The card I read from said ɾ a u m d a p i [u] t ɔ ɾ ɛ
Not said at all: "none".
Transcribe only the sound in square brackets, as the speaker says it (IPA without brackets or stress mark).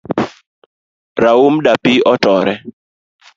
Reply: ɔ